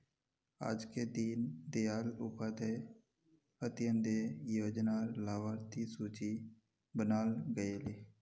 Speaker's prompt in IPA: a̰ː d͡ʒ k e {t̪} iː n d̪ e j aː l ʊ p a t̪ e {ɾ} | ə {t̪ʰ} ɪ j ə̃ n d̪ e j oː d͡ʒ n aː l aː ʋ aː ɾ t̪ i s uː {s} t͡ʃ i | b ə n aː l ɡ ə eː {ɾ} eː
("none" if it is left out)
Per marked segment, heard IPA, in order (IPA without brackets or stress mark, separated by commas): d̪, none, t̪, none, l